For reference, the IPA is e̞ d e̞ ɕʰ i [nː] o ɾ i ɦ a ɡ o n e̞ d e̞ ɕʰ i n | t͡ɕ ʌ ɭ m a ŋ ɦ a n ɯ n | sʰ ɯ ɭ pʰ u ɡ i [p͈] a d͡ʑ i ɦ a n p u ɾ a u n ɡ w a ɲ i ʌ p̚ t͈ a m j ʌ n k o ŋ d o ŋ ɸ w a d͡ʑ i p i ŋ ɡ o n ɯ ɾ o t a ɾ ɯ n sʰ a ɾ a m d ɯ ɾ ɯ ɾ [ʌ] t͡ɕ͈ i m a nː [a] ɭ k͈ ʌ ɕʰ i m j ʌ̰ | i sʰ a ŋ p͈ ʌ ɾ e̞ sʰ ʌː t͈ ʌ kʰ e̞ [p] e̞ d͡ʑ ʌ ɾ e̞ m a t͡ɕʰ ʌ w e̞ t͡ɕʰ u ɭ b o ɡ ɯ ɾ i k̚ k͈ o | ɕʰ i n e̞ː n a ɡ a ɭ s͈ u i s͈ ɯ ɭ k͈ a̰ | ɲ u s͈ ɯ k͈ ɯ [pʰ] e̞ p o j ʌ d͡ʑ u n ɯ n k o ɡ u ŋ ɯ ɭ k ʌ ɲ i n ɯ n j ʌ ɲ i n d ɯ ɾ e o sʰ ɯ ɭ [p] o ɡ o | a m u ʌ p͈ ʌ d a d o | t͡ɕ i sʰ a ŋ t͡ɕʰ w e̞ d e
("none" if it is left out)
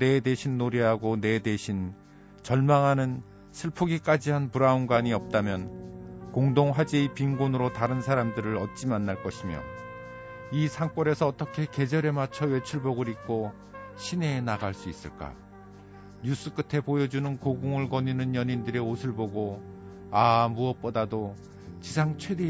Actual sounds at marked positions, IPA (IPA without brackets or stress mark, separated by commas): nː, k͈, ʌ, a, k, tʰ, b